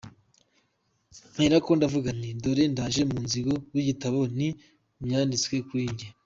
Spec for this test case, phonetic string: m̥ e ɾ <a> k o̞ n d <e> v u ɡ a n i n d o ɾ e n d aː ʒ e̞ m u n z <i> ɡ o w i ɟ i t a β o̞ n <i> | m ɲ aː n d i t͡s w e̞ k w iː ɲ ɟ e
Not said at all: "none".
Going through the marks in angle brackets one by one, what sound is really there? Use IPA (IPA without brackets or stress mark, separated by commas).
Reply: a, a, i, i